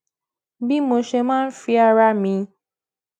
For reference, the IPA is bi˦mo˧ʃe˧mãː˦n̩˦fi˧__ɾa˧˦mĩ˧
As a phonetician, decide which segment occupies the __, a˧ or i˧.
a˧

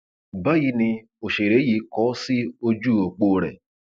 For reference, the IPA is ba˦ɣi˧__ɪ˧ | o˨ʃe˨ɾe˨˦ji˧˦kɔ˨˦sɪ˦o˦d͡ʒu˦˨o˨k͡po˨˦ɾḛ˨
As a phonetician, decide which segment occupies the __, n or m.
n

